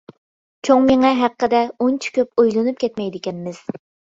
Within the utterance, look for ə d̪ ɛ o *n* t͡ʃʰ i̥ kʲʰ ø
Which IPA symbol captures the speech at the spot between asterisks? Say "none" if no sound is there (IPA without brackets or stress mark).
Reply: n